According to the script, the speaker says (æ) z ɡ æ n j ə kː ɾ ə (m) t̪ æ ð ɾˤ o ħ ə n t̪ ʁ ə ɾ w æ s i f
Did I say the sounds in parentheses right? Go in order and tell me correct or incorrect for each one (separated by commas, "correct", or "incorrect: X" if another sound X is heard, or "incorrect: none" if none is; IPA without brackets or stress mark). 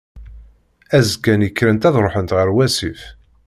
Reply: correct, incorrect: n